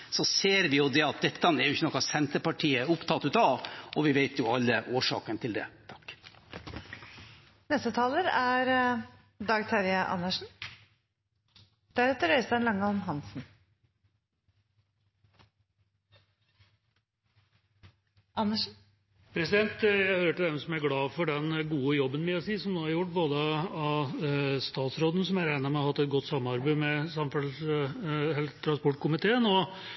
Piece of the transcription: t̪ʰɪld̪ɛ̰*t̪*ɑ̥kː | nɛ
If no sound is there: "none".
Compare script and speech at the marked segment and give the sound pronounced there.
t̪ʰ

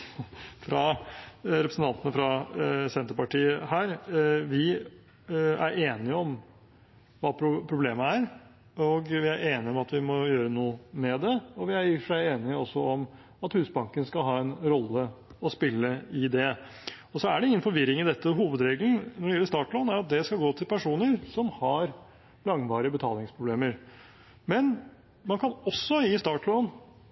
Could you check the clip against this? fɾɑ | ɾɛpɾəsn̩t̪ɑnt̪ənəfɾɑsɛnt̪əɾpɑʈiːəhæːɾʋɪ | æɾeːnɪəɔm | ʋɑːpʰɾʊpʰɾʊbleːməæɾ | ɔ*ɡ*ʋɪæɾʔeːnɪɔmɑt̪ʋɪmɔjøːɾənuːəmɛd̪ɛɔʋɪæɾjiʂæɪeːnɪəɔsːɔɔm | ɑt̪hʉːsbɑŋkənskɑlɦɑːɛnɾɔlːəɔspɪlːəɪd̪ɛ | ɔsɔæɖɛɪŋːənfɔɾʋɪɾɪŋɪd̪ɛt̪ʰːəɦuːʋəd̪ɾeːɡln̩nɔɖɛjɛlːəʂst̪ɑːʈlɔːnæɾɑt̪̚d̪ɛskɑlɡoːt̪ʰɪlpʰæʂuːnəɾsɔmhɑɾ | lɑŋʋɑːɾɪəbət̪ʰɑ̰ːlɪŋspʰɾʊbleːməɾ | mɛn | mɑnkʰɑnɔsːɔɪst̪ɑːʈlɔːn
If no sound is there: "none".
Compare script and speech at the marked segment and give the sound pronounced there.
ɡ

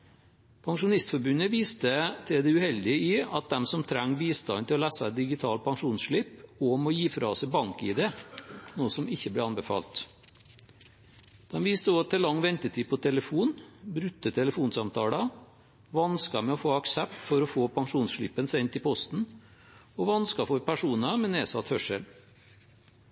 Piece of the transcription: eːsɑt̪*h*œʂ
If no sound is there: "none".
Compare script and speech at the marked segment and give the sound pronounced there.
h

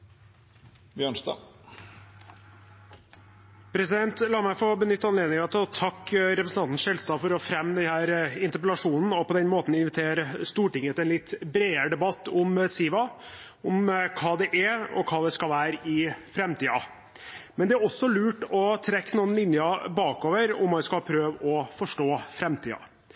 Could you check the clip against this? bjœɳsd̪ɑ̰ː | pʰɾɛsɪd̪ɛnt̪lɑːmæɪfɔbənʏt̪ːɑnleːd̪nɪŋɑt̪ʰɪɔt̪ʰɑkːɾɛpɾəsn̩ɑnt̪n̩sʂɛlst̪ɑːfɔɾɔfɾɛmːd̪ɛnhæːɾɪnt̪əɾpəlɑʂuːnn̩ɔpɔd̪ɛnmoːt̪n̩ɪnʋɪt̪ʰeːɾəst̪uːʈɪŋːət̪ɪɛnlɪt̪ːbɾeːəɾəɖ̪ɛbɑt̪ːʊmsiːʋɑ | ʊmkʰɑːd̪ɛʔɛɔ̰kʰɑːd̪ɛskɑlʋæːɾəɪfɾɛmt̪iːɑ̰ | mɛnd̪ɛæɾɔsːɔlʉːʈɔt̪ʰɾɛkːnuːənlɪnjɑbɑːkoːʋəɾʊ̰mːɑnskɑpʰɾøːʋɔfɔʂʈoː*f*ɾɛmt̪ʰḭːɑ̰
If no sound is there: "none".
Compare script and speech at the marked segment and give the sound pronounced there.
f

